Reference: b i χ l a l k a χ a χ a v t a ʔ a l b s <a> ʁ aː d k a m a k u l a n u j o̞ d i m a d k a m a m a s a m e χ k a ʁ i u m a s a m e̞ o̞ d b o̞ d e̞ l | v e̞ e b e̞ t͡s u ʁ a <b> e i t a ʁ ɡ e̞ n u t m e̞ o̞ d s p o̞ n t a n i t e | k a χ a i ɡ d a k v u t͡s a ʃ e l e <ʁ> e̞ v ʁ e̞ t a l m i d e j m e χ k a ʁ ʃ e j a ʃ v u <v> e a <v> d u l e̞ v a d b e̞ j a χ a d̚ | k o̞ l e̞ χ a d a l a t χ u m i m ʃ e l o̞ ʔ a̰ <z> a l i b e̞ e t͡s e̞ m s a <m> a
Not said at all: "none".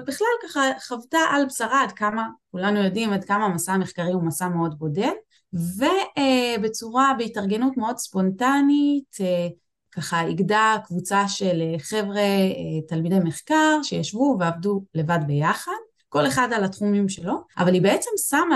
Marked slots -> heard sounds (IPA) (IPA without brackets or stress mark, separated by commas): a, b, χ, v, v, v, m